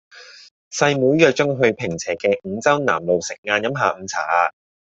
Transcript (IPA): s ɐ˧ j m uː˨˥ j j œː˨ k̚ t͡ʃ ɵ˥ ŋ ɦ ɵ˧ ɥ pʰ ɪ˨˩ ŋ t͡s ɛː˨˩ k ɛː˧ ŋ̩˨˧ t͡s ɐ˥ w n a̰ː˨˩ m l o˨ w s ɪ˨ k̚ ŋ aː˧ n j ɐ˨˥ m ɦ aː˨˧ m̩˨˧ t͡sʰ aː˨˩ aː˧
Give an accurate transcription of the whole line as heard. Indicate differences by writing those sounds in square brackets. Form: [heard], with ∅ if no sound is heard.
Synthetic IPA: s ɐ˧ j m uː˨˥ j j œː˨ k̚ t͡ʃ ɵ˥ ŋ ɦ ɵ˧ ɥ pʰ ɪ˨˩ ŋ [t͡sʰ] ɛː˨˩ k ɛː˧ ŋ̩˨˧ t͡s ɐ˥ w n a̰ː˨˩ m l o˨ w s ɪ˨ k̚ ŋ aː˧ n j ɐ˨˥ m ɦ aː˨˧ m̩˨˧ t͡sʰ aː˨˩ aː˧

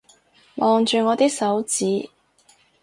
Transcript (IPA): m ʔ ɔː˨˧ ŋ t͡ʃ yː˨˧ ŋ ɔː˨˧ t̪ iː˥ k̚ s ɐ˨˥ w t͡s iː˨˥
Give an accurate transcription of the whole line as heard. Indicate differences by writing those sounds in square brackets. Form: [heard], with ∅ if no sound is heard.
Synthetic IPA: m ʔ ɔː˨˧ ŋ t͡ʃ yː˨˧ ŋ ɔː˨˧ t̪ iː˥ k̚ s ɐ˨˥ w t͡s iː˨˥

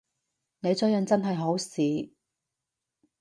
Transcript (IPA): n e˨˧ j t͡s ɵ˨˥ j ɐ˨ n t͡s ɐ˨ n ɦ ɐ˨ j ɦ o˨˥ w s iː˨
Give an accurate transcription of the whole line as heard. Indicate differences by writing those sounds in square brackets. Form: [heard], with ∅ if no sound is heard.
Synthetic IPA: n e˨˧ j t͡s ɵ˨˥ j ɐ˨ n t͡s [ɐ˥] n ɦ ɐ˨ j ɦ o˨˥ w s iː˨

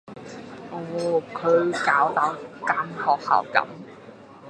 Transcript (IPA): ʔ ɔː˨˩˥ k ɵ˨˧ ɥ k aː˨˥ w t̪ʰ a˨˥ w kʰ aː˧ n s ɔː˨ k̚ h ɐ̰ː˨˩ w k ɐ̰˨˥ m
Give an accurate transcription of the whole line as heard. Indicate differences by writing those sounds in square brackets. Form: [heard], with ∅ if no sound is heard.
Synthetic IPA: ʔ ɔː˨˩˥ [kʰ] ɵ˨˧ ɥ k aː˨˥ w [t̪] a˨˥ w [k] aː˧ n [h] ɔː˨ k̚ h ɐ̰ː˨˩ w k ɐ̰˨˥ m

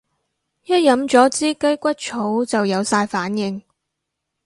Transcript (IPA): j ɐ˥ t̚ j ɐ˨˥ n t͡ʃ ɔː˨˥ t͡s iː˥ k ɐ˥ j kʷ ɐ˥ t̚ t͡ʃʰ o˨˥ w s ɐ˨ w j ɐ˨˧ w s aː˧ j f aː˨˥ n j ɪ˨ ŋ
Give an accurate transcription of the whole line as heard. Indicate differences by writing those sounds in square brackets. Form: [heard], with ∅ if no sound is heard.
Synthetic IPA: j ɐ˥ t̚ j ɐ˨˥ [m] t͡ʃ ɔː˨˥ t͡s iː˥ k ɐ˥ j kʷ ɐ˥ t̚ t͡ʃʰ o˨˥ w [t͡s] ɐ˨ w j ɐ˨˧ w s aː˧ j f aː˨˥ n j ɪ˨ ŋ

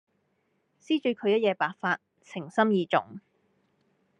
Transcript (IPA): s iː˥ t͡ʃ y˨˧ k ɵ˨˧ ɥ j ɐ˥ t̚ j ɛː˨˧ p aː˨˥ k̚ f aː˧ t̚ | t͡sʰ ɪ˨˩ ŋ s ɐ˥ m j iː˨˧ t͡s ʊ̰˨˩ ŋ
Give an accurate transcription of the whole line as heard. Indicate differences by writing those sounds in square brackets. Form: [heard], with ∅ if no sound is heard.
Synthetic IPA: s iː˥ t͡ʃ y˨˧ [kʰ] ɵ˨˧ ɥ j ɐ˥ t̚ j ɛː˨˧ p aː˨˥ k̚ f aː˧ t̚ | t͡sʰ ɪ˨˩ ŋ s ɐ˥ m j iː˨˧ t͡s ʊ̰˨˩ ŋ

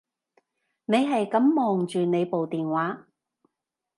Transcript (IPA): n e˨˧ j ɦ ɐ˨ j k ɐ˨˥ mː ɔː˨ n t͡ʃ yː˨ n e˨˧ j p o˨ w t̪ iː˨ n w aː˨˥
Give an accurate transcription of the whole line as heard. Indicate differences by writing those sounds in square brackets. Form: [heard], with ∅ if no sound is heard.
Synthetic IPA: n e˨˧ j ɦ ɐ˨ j k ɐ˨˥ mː ɔː˨ [ŋ] t͡ʃ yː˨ n e˨˧ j p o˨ w t̪ iː˨ n w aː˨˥

